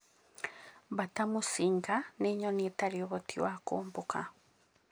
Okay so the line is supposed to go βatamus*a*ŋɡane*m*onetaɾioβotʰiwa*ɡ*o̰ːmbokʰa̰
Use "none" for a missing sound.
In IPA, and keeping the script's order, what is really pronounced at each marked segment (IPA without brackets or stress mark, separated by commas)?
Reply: i, ɲ, k